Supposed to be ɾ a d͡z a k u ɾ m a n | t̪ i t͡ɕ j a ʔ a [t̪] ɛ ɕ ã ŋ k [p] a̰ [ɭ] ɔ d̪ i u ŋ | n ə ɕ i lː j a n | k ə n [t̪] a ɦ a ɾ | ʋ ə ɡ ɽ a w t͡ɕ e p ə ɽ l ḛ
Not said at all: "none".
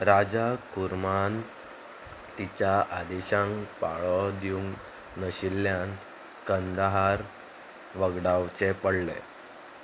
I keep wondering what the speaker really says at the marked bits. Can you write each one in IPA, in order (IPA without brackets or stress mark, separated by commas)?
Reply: d̪, p, ɭ, d̪